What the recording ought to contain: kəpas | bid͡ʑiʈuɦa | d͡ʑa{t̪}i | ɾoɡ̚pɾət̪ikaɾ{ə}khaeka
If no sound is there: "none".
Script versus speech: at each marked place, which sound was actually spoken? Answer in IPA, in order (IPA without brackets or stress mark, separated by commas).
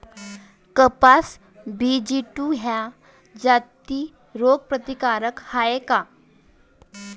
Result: t̪, ə